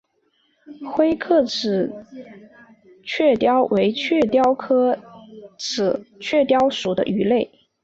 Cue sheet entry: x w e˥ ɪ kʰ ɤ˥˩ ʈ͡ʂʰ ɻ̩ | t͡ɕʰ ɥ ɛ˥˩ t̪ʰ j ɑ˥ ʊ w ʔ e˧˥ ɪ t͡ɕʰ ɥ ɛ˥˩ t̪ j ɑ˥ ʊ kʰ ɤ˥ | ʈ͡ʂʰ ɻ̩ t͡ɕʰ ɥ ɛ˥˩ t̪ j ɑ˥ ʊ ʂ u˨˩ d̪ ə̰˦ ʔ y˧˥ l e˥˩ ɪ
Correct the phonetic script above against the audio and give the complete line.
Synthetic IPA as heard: x w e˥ ɪ kʰ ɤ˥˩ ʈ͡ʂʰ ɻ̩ | t͡ɕʰ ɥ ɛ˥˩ t̪ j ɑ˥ ʊ w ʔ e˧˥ ɪ t͡ɕʰ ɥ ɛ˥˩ t̪ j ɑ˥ ʊ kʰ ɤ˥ | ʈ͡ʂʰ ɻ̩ t͡ɕʰ ɥ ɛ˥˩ t̪ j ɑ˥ ʊ ʂ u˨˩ d̪ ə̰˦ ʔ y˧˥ l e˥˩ ɪ